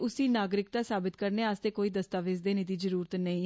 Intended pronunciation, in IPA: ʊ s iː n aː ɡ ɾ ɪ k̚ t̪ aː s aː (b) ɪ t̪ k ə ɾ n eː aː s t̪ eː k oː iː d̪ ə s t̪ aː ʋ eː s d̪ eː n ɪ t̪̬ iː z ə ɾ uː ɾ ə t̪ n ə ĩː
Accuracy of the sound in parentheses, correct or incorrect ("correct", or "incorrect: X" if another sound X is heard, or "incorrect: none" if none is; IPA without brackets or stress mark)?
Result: correct